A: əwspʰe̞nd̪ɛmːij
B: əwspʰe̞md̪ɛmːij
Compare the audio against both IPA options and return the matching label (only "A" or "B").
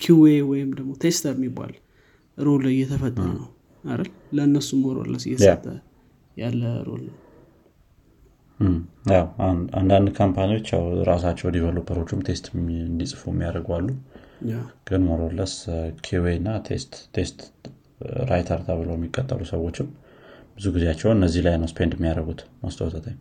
A